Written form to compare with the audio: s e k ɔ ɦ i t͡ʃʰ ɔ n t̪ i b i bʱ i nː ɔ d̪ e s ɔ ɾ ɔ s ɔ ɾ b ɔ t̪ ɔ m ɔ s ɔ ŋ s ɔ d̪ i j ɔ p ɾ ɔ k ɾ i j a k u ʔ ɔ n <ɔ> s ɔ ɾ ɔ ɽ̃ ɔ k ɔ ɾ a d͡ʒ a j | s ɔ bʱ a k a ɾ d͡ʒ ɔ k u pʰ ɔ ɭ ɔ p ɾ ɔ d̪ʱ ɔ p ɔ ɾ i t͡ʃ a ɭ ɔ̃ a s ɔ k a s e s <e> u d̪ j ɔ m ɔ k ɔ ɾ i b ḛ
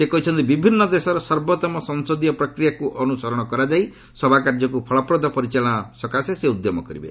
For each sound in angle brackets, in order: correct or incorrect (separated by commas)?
incorrect, correct